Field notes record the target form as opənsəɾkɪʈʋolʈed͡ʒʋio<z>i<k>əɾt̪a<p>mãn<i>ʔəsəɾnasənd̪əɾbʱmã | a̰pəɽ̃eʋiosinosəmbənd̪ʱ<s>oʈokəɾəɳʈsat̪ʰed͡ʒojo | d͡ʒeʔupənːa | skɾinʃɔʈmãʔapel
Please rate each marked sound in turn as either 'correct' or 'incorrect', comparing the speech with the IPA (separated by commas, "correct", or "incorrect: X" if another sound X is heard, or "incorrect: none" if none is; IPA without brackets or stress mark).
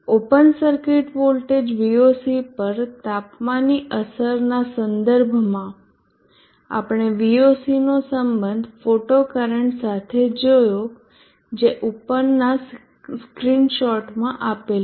incorrect: s, incorrect: p, correct, correct, incorrect: f